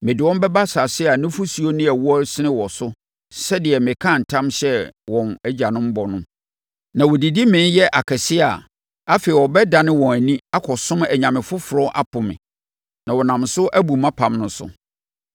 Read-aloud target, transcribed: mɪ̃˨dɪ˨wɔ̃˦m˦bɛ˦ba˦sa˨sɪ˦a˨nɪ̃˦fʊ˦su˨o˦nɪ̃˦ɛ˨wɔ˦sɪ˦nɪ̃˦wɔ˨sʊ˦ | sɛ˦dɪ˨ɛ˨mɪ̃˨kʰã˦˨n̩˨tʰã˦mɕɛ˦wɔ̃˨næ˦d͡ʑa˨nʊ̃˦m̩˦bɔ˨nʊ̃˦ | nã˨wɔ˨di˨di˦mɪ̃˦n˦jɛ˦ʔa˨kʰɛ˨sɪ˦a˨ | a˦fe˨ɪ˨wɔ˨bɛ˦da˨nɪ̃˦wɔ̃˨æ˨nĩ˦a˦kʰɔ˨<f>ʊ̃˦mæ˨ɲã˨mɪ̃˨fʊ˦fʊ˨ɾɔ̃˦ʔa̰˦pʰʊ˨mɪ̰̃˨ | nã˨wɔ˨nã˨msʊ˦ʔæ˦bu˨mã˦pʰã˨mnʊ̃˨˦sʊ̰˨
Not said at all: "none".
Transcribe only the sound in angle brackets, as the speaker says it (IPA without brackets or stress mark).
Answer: s